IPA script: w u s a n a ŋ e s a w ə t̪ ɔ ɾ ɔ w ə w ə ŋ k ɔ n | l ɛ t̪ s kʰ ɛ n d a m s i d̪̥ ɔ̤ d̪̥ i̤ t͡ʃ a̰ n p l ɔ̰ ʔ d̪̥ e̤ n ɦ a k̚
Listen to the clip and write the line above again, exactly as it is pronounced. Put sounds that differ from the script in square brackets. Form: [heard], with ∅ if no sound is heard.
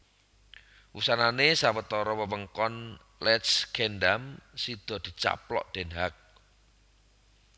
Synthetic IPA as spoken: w u s a n a [n] e s a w ə t̪ ɔ ɾ ɔ w ə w ə ŋ k ɔ n | l ɛ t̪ s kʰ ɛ n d a m s i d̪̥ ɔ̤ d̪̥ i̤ t͡ʃ a̰ [∅] p l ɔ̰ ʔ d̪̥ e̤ n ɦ a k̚